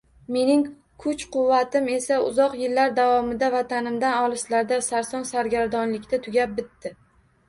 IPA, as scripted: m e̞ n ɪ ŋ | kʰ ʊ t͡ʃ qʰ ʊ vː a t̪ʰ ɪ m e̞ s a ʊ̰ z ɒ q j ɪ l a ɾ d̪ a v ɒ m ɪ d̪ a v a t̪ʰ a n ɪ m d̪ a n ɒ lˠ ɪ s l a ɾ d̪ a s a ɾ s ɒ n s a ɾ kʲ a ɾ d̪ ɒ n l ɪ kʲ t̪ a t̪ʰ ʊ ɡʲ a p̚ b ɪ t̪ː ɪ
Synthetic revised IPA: m e̞ n ɪ ŋ | kʰ ʊ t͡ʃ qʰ ʊ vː a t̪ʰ ɪ m e̞ s a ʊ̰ z ɒ q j ɪ lː a ɾ d̪ a v ɒ m ɪ d̪ a v a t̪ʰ a n ɪ m d̪ a n ɒ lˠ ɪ s l a ɾ d̪ a s a ɾ s ɒ n s a ɾ ɡʲ a ɾ d̪ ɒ n l ɪ kʲ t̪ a t̪ʰ ʊ ɡʲ a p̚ b ɪ t̪ː ɪ